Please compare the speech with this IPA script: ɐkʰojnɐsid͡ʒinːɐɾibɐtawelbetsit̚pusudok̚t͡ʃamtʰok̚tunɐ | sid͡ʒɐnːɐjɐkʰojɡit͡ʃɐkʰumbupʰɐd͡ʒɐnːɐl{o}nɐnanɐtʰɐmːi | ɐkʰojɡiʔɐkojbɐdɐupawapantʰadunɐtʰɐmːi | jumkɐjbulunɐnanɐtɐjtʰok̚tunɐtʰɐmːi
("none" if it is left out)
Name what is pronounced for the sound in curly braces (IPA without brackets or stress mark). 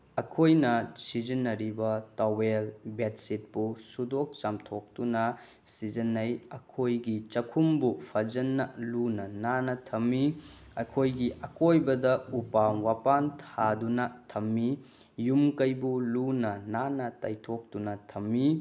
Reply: u